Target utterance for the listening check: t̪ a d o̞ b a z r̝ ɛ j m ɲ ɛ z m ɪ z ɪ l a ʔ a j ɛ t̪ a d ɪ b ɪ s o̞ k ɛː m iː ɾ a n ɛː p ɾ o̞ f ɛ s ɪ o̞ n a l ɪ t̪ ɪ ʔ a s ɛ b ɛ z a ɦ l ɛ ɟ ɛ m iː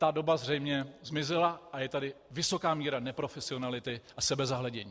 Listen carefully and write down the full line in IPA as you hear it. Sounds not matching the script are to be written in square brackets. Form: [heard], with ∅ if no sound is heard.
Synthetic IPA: t̪ a d o̞ b a z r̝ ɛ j m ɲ ɛ z m ɪ z ɪ l a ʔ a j ɛ t̪ a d ɪ [v] ɪ s o̞ k [aː] m iː ɾ a n [ɛ] p ɾ o̞ f ɛ s ɪ o̞ n a l ɪ t̪ ɪ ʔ a s ɛ b ɛ z a ɦ l ɛ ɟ ɛ [ɲ] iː